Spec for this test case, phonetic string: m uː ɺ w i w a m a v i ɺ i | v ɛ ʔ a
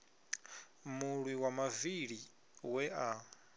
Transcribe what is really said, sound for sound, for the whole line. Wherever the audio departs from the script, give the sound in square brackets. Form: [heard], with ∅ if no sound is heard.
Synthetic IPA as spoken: m [u] ɺ w i w a m a v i ɺ i | [w] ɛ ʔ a